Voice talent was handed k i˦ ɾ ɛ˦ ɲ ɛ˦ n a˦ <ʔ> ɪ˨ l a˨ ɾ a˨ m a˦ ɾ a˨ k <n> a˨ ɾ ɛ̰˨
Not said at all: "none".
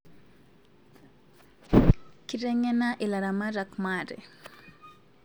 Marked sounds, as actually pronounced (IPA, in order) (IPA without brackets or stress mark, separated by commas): ʔ, m